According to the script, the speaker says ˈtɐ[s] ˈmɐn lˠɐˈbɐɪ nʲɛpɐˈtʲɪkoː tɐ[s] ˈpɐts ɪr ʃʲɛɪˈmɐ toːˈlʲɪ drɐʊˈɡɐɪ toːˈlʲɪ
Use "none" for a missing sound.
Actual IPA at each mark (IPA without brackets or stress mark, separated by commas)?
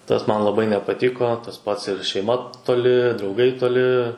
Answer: s, s